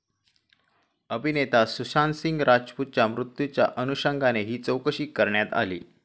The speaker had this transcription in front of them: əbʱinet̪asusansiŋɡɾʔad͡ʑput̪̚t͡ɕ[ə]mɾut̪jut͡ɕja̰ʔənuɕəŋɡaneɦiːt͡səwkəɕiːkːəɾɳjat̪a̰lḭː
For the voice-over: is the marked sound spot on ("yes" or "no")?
no